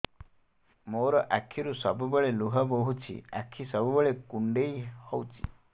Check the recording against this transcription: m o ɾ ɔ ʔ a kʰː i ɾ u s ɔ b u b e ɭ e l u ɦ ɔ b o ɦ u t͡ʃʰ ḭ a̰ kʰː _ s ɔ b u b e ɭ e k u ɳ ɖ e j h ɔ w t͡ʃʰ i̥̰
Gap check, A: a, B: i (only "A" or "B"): B